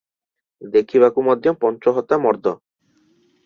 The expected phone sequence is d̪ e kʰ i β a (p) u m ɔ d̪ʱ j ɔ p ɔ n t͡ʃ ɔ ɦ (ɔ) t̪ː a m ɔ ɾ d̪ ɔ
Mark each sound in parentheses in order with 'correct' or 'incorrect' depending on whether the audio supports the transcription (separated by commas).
incorrect, correct